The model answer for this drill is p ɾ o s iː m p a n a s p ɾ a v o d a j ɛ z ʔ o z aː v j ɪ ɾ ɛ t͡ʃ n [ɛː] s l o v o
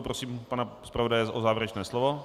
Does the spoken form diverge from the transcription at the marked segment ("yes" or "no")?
no